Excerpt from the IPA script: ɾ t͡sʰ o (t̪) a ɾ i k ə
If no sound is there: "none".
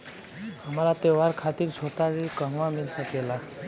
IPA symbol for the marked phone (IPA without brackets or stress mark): t̪